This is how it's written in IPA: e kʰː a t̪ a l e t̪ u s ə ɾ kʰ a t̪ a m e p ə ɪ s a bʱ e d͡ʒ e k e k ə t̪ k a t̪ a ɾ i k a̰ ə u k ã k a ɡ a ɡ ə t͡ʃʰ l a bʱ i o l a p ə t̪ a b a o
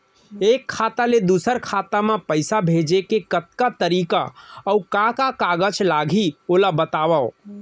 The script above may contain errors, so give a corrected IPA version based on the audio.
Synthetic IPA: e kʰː a t̪ a l e d̪ u s ə ɾ kʰ a t̪ a m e p ə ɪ s a bʱ e d͡ʒ e k e k ə t̪ k a t̪ ə ɾ i k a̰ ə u k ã k a k a ɡ ə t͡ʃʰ l a ɡʱ i o l a b ə t̪ a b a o